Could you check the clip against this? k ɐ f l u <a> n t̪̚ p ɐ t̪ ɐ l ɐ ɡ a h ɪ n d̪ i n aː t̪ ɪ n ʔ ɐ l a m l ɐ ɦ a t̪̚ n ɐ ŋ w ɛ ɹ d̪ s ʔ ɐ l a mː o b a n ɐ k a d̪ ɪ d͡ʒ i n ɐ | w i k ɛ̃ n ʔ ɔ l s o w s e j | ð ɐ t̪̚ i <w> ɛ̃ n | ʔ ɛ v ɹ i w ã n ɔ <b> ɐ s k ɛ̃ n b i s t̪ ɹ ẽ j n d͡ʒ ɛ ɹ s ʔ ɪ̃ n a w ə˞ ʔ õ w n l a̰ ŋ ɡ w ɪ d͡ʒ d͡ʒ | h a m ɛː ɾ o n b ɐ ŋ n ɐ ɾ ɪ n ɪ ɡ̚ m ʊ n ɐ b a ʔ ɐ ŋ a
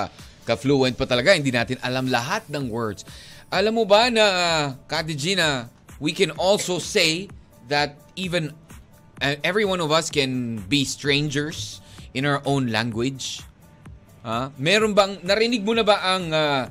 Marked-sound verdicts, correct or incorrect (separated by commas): incorrect, incorrect, incorrect